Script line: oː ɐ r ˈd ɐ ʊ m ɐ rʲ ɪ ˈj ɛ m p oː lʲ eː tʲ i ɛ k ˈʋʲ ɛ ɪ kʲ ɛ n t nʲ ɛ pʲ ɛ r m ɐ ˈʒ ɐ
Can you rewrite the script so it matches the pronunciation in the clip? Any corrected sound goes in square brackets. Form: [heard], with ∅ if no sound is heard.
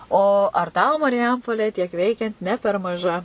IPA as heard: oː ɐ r [ˈt] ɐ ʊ m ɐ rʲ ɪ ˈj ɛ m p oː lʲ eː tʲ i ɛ k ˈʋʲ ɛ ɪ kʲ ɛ n t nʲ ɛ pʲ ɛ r m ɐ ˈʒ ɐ